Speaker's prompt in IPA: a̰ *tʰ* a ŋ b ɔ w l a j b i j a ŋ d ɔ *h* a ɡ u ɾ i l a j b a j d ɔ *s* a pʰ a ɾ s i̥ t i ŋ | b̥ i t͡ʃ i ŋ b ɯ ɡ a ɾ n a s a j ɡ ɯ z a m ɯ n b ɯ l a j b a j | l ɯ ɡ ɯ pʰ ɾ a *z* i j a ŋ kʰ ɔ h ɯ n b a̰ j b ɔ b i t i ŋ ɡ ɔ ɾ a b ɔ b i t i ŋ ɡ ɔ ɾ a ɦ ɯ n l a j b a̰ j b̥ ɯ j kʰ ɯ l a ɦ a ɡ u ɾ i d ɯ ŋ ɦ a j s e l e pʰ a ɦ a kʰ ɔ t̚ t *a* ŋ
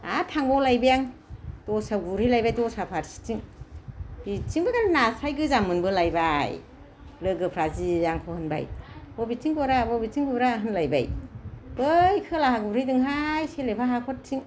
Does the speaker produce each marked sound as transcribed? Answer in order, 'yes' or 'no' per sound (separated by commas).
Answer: yes, no, yes, yes, no